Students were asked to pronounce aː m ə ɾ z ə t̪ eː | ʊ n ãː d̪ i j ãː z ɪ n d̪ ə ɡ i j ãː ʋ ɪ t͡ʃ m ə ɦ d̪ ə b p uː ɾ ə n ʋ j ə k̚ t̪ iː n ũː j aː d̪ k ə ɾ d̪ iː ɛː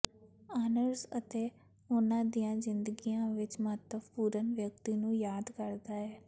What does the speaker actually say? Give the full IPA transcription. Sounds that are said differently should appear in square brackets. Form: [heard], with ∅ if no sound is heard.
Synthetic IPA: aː [n] ə ɾ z ə t̪ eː | ʊ n ãː d̪ i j ãː z ɪ n d̪ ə ɡ i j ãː ʋ ɪ t͡ʃ m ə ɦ [t̪] ə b p uː ɾ ə n ʋ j ə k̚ t̪ iː n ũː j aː d̪ k ə ɾ d̪ [aː] ɛː